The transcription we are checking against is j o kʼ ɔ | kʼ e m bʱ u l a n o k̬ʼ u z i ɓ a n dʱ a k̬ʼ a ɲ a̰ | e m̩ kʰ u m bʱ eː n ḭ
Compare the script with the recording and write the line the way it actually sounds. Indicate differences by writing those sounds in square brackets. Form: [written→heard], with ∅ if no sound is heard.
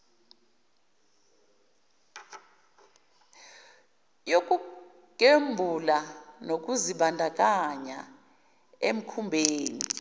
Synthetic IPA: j o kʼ [ɔ→u] | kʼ e m bʱ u l a n o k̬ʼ u z i ɓ a n dʱ a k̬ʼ a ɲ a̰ | e m̩ kʰ u m bʱ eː n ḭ